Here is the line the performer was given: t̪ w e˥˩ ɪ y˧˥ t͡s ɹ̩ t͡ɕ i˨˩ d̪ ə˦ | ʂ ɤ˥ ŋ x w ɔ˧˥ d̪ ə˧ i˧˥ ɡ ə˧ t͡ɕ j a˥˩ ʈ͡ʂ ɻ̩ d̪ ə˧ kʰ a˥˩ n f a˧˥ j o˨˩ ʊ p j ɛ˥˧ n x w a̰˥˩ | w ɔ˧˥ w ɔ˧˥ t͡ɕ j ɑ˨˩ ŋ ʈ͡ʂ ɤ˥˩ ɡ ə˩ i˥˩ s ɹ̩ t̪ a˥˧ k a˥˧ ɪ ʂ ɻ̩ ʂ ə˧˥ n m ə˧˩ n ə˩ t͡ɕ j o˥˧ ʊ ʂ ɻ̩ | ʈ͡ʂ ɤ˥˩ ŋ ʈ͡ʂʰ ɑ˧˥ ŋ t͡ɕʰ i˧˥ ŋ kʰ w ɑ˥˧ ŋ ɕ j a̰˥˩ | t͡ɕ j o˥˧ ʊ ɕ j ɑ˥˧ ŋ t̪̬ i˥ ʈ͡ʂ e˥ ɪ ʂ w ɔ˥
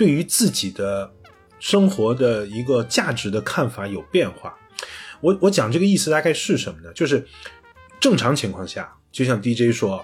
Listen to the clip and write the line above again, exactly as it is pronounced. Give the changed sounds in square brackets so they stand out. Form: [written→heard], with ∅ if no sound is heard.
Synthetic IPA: t̪ w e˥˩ ɪ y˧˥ t͡s ɹ̩ t͡ɕ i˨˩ d̪ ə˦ | ʂ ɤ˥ ŋ x w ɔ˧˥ d̪ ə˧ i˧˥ ɡ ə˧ t͡ɕ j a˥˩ ʈ͡ʂ ɻ̩ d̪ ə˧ kʰ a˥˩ n f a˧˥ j o˨˩ ʊ p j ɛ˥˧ n x w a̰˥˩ | w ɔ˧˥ w ɔ˧˥ t͡ɕ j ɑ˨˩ ŋ ʈ͡ʂ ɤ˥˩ ɡ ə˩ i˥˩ s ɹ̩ t̪ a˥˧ k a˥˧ ɪ ʂ ɻ̩ ʂ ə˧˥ n m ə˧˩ n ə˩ t͡ɕ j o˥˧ ʊ ʂ ɻ̩ | ʈ͡ʂ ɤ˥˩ ŋ ʈ͡ʂʰ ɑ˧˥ ŋ t͡ɕʰ i˧˥ ŋ kʰ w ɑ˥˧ ŋ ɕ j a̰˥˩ | t͡ɕ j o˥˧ ʊ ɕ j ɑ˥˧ ŋ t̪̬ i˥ ʈ͡ʂ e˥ ɪ ʂ w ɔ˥